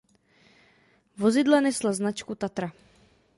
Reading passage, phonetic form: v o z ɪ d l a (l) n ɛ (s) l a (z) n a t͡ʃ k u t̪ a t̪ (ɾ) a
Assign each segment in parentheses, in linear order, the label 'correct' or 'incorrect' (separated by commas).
incorrect, correct, correct, correct